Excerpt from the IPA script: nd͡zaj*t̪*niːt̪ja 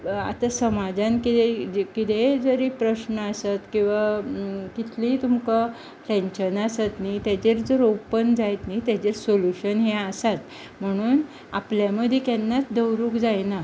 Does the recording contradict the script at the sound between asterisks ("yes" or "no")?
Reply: no